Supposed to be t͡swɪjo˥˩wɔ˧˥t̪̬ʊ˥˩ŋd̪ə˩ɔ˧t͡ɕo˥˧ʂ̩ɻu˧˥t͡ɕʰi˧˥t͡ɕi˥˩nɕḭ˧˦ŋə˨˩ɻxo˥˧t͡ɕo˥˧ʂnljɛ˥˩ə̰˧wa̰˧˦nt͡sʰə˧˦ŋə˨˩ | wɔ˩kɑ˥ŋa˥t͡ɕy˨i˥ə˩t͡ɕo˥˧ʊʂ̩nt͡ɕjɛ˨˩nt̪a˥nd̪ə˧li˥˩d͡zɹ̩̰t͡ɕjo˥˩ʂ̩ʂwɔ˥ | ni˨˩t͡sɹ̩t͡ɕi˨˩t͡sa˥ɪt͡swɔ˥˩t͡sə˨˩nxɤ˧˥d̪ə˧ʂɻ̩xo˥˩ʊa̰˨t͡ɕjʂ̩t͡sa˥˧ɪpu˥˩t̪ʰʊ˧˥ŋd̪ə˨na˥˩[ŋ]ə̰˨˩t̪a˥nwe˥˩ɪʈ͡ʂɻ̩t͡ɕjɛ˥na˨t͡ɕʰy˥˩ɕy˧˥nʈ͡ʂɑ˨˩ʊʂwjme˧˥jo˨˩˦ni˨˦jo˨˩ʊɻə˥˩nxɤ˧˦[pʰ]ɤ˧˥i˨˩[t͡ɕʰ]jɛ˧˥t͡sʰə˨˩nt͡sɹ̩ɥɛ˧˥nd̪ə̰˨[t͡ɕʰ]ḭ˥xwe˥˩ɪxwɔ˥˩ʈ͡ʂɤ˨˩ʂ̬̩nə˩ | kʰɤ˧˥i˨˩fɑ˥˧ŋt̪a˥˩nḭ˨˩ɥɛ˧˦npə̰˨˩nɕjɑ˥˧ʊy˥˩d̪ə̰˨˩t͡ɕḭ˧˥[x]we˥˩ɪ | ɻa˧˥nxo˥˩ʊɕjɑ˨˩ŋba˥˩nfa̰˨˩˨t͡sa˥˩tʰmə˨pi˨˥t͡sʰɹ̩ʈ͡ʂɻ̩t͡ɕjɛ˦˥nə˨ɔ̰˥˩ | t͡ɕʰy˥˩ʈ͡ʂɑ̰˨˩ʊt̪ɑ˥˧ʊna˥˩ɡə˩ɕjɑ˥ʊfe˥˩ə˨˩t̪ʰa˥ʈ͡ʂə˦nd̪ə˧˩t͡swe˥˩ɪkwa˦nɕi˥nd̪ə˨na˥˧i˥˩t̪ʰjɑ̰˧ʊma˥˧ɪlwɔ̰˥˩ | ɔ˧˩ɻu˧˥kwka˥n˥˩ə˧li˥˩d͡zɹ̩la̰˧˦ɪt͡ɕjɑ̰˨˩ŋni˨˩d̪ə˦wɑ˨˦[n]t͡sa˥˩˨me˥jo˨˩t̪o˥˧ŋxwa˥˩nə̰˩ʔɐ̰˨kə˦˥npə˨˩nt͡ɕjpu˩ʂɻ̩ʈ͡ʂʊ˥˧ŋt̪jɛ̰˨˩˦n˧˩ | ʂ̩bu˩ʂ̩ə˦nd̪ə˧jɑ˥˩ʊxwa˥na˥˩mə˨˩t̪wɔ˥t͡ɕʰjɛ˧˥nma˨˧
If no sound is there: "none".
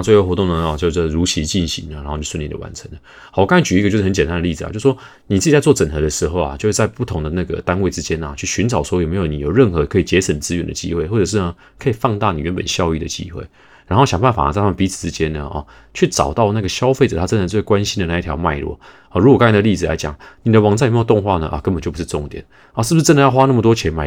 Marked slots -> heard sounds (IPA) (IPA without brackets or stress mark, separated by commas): ɡ, kʰ, t͡ɕ, t͡ɕ, x, ŋ